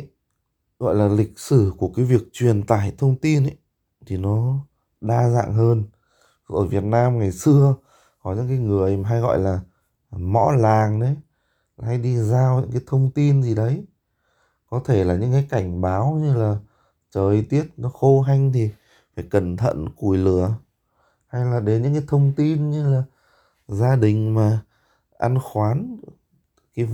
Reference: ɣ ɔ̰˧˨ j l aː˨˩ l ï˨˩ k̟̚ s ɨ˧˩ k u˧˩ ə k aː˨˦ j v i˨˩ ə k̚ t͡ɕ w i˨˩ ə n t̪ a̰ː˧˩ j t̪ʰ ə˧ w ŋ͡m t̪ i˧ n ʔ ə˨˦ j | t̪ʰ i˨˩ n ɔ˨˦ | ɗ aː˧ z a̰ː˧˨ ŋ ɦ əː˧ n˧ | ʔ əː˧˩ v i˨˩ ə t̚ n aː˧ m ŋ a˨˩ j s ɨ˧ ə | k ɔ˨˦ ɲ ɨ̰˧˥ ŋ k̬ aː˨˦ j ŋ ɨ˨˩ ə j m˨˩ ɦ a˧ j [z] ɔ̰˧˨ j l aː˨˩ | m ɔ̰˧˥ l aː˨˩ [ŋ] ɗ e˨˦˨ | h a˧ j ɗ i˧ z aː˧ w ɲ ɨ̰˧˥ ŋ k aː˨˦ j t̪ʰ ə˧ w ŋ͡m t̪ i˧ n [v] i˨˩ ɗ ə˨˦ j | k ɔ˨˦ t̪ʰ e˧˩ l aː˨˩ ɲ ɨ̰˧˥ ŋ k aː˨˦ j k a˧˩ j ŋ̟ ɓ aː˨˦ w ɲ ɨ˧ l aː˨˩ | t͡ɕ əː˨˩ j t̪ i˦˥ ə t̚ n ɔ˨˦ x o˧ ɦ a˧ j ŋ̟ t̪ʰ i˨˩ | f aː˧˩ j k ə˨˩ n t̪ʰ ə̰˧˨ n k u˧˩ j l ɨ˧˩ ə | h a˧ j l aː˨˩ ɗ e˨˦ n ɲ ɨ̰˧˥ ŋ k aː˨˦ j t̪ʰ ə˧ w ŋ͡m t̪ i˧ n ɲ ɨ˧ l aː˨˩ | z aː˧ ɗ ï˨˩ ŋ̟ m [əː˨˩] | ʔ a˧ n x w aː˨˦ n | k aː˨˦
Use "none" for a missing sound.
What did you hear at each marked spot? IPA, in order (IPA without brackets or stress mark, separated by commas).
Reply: ɣ, ŋ, z, aː˨˩